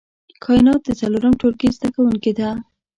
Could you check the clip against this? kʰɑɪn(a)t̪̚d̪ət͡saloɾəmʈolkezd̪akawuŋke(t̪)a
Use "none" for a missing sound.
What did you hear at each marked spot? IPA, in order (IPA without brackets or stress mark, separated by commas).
ɑ, d̪